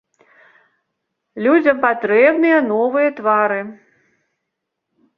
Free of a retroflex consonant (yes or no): yes